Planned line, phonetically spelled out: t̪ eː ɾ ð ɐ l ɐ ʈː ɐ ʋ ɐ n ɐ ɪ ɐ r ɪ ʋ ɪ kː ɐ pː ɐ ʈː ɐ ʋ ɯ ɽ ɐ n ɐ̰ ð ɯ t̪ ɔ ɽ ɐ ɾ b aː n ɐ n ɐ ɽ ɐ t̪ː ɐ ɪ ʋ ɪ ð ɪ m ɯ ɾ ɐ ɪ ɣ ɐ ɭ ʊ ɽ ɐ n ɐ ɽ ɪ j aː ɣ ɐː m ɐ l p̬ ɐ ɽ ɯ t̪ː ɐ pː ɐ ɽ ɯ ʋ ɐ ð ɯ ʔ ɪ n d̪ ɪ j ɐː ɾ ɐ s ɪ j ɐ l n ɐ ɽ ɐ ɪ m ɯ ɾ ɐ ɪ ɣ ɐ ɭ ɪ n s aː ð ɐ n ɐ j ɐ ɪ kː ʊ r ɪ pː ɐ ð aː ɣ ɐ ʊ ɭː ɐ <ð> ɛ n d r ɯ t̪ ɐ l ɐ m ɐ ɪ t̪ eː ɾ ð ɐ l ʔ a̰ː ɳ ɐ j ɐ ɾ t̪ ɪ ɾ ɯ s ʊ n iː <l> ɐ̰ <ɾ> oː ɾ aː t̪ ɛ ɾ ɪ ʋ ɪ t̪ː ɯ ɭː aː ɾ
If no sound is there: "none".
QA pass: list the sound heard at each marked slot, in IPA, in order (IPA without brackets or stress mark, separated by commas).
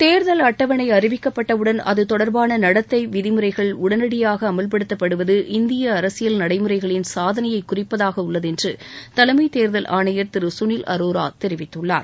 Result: ð, l, ɾ